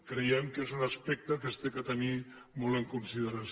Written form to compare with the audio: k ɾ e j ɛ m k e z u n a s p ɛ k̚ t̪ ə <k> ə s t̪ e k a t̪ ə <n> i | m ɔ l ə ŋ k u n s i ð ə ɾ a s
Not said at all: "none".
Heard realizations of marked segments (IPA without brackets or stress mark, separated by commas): k, n